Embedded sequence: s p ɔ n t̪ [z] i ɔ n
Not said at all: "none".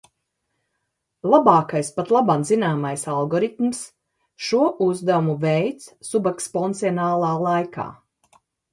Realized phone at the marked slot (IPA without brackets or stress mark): s